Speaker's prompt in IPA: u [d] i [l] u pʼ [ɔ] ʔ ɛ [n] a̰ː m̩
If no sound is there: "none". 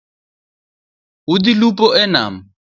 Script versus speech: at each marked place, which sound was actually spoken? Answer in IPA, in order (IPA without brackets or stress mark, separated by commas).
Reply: d, l, ɔ, n